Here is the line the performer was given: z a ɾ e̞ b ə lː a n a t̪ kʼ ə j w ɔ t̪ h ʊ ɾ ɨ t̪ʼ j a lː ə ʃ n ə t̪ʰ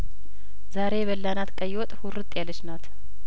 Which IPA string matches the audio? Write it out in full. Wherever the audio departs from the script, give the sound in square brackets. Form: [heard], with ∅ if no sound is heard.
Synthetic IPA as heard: z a ɾ e̞ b ə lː a n a t̪ kʼ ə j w ɔ [t̪ʼ] h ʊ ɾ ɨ t̪ʼ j a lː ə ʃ n [a] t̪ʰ